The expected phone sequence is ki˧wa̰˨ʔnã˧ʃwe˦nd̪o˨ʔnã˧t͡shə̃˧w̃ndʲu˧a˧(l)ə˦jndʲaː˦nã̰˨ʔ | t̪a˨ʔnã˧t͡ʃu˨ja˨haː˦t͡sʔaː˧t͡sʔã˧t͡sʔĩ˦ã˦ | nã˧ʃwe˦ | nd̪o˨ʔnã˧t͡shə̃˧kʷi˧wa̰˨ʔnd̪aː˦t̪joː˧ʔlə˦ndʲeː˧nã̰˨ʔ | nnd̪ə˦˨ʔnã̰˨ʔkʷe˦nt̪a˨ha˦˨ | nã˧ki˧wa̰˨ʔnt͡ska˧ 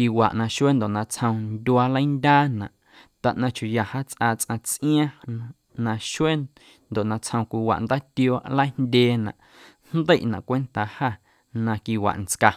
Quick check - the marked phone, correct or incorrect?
correct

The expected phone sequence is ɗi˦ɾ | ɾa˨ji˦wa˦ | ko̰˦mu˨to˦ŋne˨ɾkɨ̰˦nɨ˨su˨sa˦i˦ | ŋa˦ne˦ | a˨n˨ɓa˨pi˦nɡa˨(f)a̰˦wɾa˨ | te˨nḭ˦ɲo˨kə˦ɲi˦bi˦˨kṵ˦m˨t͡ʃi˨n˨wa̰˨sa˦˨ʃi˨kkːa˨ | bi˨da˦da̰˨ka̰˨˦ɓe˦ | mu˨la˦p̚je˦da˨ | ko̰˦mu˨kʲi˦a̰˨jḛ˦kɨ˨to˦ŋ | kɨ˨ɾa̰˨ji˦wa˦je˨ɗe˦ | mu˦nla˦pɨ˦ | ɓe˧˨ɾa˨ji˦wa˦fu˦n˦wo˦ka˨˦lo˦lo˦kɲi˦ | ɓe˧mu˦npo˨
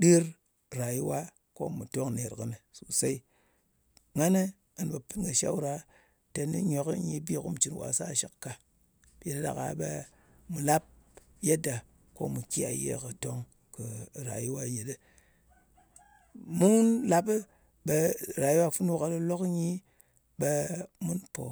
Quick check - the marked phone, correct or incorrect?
incorrect: ʃ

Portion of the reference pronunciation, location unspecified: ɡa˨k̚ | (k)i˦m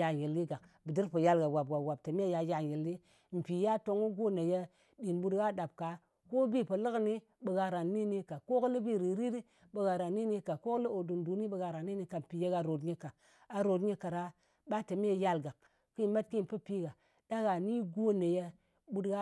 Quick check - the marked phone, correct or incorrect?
correct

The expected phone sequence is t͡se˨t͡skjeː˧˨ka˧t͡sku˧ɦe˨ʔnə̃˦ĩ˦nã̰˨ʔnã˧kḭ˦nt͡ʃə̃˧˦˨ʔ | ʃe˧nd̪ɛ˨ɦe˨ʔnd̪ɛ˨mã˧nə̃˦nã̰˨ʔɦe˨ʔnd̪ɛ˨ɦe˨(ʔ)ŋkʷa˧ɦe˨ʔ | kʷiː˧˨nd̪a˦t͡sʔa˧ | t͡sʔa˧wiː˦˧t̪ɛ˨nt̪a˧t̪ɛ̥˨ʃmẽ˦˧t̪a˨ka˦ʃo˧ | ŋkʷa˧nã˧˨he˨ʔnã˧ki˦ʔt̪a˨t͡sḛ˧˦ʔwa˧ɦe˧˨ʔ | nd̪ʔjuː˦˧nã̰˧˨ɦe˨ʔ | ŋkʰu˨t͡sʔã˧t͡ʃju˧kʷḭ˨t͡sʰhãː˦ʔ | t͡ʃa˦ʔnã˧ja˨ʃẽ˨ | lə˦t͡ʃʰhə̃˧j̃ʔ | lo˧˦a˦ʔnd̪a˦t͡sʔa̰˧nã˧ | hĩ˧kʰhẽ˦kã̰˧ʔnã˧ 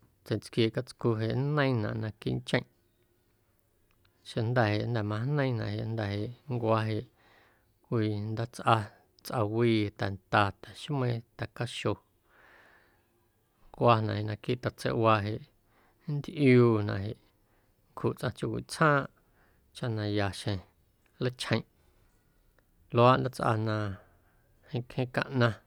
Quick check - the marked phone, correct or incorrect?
correct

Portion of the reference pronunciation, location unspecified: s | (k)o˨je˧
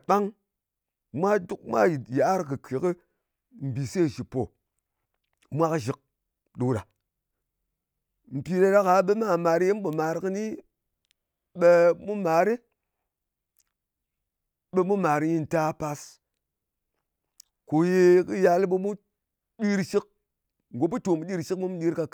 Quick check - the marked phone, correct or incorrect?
correct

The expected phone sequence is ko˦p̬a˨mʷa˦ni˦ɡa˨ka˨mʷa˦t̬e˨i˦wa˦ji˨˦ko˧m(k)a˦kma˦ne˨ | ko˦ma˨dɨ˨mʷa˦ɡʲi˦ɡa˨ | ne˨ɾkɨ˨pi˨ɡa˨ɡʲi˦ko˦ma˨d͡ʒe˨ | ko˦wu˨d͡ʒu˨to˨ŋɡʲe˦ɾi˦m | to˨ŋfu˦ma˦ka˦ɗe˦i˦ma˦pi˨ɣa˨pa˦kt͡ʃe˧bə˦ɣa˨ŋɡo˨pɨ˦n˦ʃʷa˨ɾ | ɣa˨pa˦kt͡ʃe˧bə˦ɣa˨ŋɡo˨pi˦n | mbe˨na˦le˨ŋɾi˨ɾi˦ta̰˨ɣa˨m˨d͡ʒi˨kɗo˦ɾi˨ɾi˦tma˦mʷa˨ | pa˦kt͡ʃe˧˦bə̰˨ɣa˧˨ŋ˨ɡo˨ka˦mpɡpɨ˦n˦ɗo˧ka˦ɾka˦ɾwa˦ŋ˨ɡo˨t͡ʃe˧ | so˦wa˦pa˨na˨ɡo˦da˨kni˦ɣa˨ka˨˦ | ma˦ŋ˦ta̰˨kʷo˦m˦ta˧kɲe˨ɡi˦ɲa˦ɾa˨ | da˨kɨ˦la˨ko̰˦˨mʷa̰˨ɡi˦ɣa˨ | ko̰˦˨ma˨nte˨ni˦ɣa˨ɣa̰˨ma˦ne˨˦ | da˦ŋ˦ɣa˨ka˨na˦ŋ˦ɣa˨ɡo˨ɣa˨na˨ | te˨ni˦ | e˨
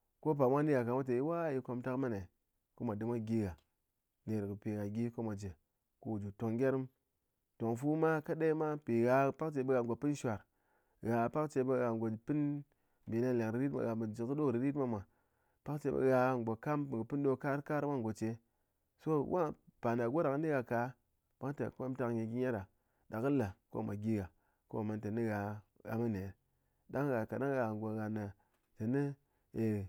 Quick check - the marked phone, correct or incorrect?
incorrect: t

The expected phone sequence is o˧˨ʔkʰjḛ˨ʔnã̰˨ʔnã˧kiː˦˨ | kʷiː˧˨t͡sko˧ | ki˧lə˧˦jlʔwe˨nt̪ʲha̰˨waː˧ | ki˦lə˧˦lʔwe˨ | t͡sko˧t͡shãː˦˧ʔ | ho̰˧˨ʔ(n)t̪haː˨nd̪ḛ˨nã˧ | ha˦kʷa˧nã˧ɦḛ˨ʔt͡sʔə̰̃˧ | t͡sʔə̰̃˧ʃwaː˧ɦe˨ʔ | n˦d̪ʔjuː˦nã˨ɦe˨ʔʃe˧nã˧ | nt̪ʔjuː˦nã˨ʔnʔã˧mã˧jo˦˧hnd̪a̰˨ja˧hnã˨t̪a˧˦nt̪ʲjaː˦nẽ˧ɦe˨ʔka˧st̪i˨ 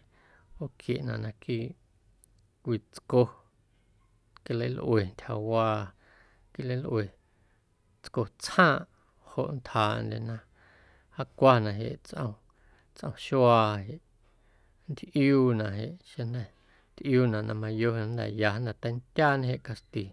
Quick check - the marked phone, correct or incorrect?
correct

